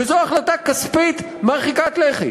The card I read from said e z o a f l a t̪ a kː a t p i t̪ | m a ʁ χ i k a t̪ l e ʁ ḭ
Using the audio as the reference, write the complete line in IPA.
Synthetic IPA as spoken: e z o a χ l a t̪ a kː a s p i t̪ | m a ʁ χ i k a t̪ l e χ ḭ